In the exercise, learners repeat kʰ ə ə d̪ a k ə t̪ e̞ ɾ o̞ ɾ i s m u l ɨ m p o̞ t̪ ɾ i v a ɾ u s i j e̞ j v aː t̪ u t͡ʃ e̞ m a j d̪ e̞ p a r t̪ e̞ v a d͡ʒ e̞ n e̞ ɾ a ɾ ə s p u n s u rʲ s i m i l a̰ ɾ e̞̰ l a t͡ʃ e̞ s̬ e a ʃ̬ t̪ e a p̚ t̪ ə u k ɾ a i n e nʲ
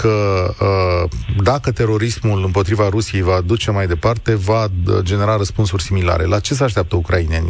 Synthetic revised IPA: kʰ ə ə d̪ a k ə t̪ e̞ ɾ o̞ ɾ i s m u l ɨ m p o̞ t̪ ɾ i v a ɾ u s i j e̞ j v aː d̪ u t͡ʃ e̞ m a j d̪ e̞ p a r t̪ e̞ v a d͡ʒ e̞ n e̞ ɾ a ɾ ə s p u n s u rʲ s i m i l a̰ ɾ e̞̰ l a t͡ʃ e̞ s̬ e a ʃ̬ t̪ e a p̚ t̪ ə u k ɾ a i n e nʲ